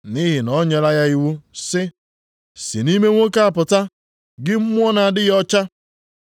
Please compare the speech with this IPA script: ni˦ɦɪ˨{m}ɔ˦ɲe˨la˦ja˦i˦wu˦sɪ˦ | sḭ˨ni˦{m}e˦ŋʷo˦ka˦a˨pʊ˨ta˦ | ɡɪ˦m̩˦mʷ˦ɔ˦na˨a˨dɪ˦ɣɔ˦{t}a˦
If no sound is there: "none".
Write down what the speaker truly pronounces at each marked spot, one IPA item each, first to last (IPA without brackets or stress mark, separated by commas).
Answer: n, m, t͡ʃ